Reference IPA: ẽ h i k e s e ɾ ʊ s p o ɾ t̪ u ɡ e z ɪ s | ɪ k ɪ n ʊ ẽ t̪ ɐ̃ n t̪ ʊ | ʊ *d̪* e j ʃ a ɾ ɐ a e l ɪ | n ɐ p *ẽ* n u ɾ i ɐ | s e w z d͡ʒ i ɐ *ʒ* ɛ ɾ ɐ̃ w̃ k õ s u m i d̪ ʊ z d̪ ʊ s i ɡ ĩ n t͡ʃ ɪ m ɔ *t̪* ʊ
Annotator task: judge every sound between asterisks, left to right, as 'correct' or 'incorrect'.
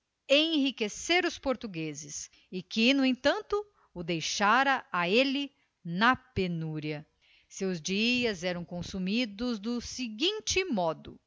correct, incorrect, incorrect, incorrect

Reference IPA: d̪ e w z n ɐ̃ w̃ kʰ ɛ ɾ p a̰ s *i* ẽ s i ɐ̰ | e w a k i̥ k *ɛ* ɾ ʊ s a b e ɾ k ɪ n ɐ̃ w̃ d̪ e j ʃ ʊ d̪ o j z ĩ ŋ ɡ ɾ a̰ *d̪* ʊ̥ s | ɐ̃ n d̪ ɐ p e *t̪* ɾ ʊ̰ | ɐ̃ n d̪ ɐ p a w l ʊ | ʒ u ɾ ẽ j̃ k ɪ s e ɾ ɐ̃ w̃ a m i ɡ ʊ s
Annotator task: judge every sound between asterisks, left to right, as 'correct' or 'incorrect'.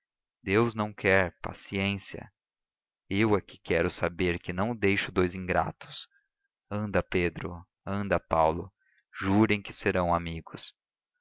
correct, correct, incorrect, incorrect

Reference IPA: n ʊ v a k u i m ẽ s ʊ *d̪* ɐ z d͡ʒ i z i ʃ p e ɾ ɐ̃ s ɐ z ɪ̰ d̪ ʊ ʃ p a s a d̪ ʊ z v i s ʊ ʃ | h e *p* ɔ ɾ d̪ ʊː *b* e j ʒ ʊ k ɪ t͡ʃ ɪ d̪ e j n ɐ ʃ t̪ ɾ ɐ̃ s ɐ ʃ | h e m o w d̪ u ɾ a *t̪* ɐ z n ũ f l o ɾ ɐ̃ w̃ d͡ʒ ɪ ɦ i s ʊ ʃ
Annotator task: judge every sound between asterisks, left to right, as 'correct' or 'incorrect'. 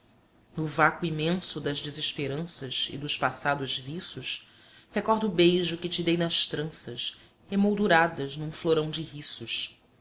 correct, incorrect, correct, incorrect

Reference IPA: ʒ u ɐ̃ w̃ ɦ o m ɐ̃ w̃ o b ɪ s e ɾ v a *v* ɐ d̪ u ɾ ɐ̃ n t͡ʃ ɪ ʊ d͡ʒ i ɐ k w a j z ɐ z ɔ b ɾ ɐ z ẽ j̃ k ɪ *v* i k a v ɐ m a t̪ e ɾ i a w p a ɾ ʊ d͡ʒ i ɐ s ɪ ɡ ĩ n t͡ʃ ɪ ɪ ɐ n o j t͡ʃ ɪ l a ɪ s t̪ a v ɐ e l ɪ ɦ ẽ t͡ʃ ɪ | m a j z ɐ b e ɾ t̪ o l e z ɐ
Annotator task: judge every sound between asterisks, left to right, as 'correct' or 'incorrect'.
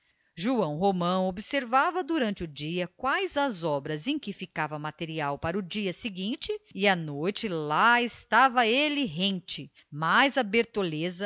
correct, incorrect

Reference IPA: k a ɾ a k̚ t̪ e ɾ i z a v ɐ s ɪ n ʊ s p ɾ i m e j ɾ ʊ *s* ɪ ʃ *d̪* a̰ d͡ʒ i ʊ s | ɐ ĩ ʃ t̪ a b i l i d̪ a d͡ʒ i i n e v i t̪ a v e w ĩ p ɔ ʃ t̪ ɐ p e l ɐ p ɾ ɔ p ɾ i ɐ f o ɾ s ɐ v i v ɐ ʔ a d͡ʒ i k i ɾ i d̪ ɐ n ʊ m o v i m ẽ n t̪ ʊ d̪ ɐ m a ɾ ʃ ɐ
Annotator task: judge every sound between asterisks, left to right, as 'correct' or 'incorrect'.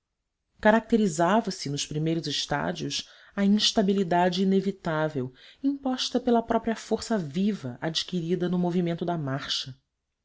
incorrect, incorrect

